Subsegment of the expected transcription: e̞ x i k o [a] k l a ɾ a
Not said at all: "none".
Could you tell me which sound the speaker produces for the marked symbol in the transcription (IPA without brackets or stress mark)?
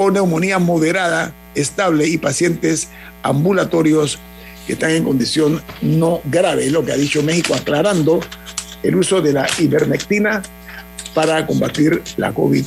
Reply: a